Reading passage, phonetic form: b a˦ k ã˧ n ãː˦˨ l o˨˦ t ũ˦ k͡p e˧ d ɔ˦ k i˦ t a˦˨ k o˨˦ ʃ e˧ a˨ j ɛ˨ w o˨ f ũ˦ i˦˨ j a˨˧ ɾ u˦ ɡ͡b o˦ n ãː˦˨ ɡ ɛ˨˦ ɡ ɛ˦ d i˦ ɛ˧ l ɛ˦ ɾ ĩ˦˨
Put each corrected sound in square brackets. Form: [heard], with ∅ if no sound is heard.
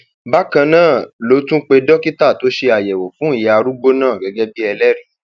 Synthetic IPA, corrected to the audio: b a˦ k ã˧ n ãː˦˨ l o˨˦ t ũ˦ k͡p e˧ d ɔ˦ k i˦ t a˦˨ [t] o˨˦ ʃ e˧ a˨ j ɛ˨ w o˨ f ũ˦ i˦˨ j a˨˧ ɾ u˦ ɡ͡b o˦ n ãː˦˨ ɡ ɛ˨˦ ɡ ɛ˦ [b] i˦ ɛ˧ l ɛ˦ ɾ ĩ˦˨